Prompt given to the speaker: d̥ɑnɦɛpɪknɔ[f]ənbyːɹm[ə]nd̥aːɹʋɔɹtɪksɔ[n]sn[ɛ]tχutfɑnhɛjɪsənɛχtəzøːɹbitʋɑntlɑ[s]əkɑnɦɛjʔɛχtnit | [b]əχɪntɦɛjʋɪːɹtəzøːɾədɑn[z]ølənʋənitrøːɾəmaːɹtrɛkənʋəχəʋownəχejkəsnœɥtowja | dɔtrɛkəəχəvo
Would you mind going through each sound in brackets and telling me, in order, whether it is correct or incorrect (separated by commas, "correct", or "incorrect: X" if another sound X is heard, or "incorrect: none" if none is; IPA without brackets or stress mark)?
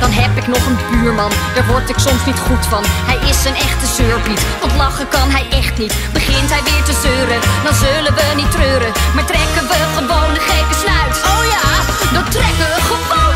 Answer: incorrect: χ, incorrect: ɑ, incorrect: m, incorrect: i, incorrect: χ, correct, correct